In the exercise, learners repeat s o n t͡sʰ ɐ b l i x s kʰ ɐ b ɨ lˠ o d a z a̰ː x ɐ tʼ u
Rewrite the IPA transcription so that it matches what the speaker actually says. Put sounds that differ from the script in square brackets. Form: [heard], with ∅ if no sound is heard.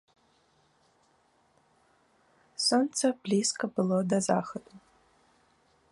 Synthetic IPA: s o n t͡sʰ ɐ b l i [∅] s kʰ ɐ b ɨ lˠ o d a z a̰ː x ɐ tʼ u